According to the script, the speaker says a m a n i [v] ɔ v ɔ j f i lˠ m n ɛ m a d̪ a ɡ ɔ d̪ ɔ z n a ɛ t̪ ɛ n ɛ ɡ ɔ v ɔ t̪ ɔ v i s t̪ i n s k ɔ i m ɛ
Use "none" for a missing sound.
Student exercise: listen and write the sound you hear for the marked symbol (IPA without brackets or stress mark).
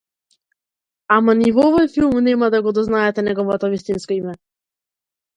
v